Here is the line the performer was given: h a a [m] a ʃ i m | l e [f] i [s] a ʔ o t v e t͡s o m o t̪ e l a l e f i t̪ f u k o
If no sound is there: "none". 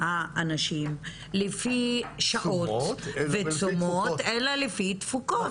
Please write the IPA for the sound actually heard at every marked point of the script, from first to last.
n, f, ʃ

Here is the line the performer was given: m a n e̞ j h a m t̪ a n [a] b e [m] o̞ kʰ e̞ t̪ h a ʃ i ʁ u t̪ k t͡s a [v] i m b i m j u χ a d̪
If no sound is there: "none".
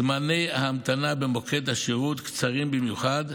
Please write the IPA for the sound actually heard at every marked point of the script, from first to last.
a, m, ʁ

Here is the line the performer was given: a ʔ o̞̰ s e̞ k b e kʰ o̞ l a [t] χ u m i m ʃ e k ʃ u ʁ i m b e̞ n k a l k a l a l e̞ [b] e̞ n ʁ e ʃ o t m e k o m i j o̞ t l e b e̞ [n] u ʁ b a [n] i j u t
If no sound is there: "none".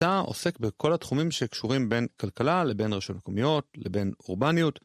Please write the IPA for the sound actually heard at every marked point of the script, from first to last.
t, b, n, n

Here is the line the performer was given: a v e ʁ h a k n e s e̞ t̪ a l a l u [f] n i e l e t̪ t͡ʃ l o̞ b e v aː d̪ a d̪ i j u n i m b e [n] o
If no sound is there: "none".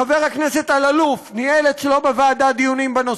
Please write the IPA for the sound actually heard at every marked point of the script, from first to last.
f, n

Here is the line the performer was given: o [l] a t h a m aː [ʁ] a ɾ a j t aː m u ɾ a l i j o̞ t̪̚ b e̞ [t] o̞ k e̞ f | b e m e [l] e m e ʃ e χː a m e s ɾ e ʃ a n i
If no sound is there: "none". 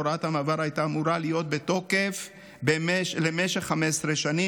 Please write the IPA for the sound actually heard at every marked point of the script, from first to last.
ɾ, v, t, l

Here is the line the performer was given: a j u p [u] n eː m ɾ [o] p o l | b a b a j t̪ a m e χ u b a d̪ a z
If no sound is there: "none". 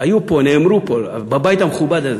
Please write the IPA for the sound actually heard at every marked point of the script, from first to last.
o, u

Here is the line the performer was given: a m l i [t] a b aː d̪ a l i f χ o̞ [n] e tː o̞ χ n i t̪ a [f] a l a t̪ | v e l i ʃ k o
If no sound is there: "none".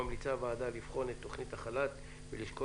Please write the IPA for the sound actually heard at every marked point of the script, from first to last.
t͡s, n, χ

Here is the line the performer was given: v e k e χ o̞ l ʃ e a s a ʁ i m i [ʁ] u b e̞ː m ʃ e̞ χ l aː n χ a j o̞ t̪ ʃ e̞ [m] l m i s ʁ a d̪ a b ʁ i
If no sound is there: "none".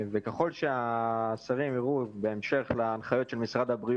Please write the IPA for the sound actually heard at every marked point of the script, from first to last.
ʁ, none

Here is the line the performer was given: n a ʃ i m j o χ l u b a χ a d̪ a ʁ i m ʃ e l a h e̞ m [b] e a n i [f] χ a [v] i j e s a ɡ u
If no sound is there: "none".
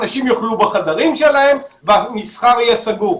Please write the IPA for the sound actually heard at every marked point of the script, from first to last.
v, s, ʁ

